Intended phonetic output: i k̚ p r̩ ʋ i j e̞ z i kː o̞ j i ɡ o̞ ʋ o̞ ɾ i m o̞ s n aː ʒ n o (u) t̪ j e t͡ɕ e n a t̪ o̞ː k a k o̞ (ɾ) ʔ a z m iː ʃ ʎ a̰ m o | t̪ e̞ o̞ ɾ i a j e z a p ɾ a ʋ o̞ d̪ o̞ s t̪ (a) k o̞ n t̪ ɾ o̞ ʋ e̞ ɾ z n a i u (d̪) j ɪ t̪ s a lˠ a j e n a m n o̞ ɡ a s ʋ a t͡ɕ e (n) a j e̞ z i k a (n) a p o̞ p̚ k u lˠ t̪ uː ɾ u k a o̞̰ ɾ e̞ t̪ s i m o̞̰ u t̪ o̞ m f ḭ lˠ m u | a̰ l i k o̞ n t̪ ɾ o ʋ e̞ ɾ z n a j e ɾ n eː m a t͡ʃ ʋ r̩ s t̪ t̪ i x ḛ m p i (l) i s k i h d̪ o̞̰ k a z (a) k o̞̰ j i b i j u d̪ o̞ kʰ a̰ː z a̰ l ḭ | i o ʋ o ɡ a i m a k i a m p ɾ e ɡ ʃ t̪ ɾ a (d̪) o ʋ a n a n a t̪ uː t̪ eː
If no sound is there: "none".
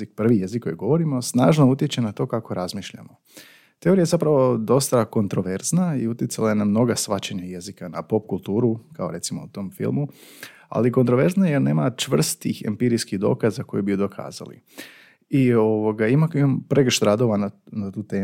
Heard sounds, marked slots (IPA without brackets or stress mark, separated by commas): u, ɾ, a, t̪, ɲ, n, ɾ, a, d̪